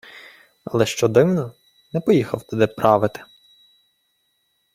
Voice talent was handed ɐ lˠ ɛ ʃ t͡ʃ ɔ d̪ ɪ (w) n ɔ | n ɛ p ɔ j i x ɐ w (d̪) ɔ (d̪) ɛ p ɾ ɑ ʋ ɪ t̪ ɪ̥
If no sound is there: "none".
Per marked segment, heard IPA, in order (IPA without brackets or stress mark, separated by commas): w, t̪, d̪